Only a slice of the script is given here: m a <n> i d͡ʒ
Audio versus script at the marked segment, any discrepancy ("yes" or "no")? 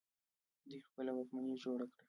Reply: no